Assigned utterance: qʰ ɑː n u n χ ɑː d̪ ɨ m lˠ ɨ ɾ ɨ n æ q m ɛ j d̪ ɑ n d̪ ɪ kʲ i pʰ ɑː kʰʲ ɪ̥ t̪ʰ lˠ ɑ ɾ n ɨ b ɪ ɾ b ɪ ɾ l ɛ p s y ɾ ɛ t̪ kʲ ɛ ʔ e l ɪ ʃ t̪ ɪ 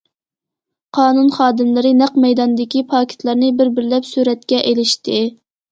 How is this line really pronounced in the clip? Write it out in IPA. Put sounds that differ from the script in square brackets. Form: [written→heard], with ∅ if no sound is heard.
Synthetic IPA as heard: qʰ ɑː n u n χ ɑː d̪ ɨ m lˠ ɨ ɾ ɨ n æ q m ɛ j d̪ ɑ n d̪ ɪ kʲ i pʰ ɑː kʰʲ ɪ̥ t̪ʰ lˠ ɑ ɾ n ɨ b ɪ ɾ b ɪ ɾ l ɛ p s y ɾ ɛ t̪ kʲ ɛ ʔ e l ɪ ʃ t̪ ɪ